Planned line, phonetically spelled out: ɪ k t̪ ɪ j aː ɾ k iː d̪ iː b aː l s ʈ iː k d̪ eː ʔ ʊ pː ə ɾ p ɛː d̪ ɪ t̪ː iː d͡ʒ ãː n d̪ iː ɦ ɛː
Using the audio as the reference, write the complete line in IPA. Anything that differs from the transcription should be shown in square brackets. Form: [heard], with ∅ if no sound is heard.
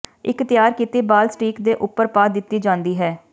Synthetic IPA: ɪ k t̪ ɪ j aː ɾ k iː [t̪] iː b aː l s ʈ iː k d̪ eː ʔ ʊ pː ə ɾ p [aː] d̪ ɪ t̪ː iː d͡ʒ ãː n d̪ iː ɦ ɛː